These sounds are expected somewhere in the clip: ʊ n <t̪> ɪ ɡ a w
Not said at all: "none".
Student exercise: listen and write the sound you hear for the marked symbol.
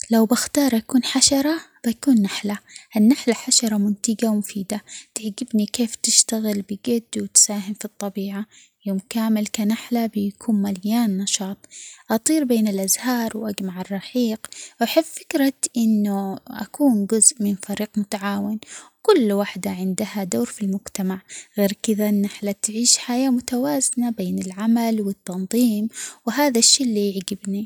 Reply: t̪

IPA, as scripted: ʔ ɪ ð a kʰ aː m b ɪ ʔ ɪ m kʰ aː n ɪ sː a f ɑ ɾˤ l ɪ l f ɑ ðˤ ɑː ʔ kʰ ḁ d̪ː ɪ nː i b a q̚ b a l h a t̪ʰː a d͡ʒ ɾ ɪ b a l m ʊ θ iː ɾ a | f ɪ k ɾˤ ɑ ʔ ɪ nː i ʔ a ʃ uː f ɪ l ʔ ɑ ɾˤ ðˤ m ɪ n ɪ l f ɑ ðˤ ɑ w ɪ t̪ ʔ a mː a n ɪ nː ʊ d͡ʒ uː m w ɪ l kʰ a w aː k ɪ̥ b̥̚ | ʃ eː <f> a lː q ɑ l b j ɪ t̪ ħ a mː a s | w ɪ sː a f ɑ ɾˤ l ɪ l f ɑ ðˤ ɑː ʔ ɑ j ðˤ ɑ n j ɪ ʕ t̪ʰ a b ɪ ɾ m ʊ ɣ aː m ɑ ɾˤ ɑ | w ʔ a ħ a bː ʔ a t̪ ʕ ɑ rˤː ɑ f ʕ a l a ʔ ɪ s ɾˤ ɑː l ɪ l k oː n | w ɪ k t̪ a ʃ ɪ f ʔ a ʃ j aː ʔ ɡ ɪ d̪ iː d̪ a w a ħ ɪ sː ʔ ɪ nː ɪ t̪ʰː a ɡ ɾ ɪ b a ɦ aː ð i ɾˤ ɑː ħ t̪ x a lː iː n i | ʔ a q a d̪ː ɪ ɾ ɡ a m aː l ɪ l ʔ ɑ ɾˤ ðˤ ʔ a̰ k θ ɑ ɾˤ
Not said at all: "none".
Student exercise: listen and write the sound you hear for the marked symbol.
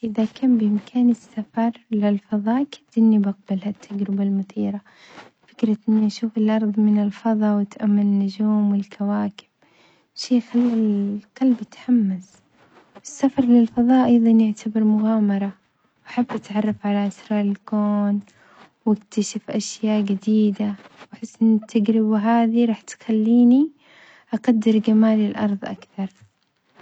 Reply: x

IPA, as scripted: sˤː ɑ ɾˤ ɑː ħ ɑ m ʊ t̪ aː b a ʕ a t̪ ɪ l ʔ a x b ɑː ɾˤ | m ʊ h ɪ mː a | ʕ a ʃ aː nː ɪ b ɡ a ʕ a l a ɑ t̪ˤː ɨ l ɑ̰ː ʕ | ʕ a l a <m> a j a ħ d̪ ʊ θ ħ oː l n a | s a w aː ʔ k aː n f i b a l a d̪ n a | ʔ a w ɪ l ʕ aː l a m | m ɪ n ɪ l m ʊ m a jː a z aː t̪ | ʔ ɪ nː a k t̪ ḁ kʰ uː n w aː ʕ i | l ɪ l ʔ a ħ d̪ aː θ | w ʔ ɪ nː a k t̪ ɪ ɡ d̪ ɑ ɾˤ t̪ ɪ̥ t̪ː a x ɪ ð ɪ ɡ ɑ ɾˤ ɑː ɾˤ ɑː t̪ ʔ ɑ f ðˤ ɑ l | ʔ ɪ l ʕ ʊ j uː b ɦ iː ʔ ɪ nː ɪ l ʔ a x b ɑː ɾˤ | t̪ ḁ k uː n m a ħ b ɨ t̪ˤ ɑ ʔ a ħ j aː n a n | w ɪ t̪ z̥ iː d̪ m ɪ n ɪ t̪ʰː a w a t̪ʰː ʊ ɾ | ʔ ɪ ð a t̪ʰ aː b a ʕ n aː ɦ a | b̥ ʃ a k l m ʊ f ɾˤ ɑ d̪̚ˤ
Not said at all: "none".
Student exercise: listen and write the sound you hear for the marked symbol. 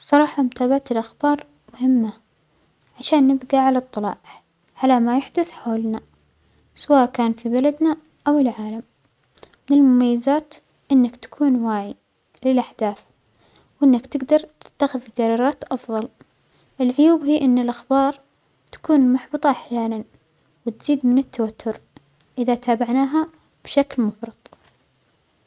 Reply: m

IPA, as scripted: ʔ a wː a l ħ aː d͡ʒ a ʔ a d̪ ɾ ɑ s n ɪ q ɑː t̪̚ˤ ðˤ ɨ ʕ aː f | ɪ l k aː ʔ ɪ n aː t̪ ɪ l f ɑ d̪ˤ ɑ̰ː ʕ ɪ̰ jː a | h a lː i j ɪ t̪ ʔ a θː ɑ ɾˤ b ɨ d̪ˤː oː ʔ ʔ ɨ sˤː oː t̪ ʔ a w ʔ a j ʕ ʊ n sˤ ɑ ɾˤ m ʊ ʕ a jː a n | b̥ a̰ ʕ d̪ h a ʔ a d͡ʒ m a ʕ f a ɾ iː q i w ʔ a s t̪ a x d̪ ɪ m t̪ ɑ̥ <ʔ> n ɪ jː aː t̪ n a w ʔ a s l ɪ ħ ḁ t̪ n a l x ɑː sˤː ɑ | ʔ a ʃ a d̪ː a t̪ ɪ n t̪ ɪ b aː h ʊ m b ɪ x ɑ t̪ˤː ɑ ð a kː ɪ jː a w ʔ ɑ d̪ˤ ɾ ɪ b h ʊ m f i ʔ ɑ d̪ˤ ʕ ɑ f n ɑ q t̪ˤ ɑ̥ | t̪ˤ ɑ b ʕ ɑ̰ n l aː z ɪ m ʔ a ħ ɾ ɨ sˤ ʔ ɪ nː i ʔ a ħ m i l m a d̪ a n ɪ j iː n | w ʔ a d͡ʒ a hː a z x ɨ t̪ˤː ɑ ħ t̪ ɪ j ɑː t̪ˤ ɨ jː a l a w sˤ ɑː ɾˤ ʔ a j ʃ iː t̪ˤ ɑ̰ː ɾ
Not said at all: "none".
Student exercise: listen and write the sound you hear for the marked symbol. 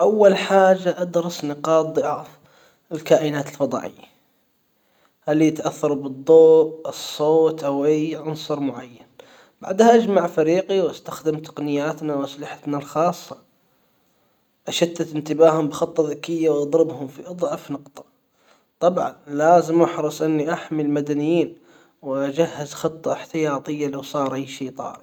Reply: q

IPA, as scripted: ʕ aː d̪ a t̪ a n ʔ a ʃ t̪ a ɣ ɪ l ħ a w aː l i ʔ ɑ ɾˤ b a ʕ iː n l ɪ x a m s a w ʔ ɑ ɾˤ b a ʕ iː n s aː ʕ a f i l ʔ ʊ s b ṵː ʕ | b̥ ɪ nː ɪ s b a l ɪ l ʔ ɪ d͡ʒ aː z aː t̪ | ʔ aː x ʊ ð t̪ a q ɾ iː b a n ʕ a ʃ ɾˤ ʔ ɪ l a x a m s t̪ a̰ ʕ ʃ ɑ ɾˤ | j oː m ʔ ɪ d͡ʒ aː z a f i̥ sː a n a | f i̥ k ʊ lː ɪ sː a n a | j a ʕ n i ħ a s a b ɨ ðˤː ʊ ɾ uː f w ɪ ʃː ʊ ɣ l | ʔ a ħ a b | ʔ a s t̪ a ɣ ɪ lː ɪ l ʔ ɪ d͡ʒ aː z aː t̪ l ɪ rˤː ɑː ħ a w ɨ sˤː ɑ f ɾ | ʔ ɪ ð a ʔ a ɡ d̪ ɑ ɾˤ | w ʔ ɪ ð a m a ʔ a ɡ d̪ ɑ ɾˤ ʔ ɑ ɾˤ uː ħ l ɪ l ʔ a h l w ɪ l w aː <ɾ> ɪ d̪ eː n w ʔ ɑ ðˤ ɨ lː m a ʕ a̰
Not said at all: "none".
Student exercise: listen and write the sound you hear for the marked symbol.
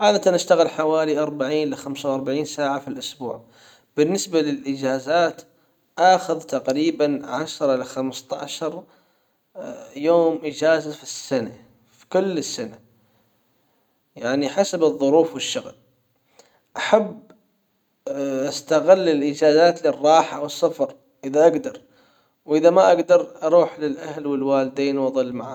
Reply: l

